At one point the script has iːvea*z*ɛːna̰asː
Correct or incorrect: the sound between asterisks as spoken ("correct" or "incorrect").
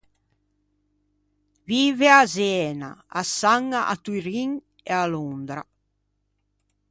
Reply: correct